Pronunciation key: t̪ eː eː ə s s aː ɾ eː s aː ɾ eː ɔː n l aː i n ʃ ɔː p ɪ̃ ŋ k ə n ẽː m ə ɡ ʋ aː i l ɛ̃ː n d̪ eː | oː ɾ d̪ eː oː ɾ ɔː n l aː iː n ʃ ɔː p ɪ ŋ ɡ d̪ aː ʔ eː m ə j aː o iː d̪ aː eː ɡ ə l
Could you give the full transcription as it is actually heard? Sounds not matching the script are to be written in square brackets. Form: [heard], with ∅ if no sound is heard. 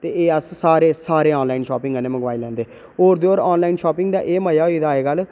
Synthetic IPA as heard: t̪ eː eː ə s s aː ɾ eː s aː ɾ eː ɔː n l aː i n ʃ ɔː p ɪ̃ ŋ [ɡ] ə n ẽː m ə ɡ ʋ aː i l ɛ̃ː n d̪ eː | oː ɾ d̪ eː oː ɾ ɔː n l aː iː n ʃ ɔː p ɪ ŋ ɡ d̪ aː ʔ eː m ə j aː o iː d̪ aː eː ɡ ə l